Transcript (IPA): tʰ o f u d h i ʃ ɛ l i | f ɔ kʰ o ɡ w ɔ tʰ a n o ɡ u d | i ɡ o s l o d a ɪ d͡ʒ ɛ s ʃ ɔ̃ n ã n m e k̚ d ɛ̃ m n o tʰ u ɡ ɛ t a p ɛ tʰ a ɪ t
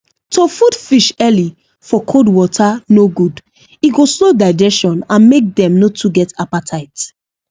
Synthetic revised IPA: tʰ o f u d f i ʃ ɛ l i | f ɔ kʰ o d w ɔ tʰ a n o ɡ u d | i ɡ o s l o d a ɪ d͡ʒ ɛ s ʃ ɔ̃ n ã n m e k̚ d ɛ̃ m n o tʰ u ɡ ɛ t a p a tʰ a ɪ t

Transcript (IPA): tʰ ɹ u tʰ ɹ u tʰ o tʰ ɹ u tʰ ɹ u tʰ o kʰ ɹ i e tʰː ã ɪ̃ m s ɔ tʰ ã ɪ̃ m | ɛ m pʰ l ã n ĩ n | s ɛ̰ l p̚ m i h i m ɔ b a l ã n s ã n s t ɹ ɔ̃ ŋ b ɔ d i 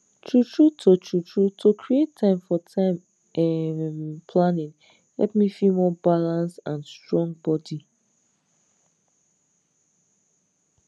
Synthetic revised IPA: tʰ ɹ u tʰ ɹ u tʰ o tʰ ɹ u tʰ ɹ u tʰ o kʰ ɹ i e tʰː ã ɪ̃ m f ɔ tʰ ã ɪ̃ m | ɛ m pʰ l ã n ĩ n | h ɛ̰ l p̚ m i f i m ɔ b a l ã n s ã n s t ɹ ɔ̃ ŋ b ɔ d i

